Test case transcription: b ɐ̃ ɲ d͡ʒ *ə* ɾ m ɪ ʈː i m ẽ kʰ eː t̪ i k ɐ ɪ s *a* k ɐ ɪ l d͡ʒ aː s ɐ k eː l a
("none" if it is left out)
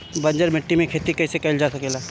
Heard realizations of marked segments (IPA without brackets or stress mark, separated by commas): ə, e